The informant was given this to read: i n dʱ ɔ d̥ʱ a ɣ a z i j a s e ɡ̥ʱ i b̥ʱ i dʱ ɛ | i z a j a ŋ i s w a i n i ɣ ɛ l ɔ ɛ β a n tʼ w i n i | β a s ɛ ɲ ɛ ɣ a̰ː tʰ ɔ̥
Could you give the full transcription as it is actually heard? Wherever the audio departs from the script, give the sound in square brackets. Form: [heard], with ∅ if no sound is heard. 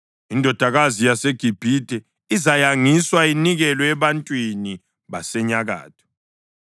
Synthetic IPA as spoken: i n dʱ ɔ d̥ʱ a ɣ a z i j a s e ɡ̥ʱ i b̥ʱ i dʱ ɛ | i z a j a ŋ i s w a i n i ɣ ɛ l ɔ ɛ β a n tʼ w i n i | β a s ɛ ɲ [a] ɣ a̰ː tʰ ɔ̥